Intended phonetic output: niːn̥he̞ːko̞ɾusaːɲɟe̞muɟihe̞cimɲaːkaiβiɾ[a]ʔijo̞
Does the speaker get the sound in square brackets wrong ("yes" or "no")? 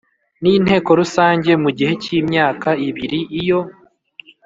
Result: yes